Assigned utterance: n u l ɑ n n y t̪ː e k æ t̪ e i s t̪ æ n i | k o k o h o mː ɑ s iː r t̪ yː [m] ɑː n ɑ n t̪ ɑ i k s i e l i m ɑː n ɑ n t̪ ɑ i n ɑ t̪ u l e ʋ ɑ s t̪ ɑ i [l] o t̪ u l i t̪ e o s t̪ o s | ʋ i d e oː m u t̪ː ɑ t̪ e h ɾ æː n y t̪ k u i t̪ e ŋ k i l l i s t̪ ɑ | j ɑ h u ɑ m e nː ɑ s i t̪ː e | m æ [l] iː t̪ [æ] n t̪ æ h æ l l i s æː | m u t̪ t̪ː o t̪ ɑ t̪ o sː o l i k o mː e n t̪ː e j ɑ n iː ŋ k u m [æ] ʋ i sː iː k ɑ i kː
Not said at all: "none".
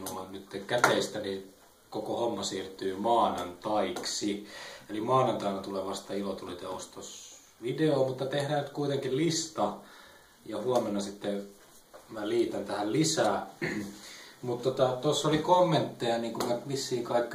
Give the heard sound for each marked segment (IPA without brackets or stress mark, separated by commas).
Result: m, l, l, æ, æ